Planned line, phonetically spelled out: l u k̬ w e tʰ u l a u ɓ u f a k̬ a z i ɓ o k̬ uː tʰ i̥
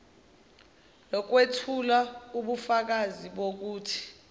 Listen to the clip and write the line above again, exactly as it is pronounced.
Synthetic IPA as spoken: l ɔ k̬ w e tʰ u l a u ɓ u f a k̬ a z i ɓ o k̬ uː tʰ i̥